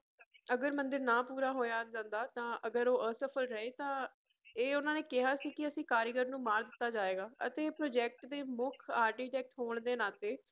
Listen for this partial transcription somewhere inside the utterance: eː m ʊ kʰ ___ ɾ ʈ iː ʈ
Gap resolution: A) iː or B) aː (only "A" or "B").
B